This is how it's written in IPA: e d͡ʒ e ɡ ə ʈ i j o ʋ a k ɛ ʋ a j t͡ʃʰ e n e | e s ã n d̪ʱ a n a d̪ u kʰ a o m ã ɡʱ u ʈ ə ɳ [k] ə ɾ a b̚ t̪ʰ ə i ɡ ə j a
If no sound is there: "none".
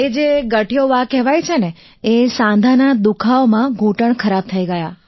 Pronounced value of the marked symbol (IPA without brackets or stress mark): kʰ